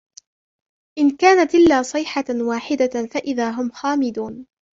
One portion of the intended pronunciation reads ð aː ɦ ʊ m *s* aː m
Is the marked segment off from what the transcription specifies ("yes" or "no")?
yes